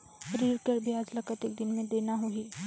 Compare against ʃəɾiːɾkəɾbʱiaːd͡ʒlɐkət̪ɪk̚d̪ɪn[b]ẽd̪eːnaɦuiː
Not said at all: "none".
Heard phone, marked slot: m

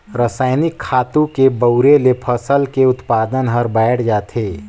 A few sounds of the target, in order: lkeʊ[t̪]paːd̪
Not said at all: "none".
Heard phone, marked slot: t̪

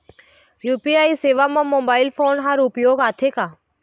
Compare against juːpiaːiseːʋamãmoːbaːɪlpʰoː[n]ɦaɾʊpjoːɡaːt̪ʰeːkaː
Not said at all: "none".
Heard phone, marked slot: n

